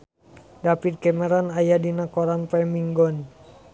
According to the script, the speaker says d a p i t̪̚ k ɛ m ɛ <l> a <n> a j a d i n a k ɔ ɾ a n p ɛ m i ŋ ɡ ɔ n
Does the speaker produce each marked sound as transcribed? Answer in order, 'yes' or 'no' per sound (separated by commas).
no, yes